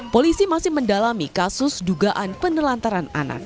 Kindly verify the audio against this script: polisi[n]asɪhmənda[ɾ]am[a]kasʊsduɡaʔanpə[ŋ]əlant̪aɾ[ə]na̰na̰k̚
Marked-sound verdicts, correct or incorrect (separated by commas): incorrect, incorrect, incorrect, incorrect, incorrect